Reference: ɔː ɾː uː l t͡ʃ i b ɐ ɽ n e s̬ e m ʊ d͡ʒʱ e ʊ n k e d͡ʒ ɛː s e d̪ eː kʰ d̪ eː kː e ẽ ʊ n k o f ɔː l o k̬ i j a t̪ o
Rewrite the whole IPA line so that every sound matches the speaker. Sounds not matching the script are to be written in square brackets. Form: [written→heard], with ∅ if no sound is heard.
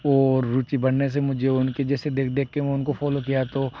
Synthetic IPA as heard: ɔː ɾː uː [l→∅] t͡ʃ i b ɐ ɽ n e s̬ e m ʊ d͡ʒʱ e ʊ n k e d͡ʒ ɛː s e d̪ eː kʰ d̪ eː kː e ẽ ʊ n k o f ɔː l o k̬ i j a t̪ o